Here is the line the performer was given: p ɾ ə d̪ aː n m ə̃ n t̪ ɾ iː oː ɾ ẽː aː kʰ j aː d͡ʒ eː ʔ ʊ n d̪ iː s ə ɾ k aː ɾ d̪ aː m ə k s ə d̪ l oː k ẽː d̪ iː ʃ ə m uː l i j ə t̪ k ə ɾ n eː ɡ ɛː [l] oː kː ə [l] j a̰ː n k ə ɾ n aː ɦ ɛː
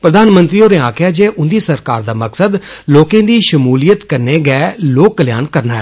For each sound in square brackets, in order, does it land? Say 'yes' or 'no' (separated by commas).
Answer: yes, yes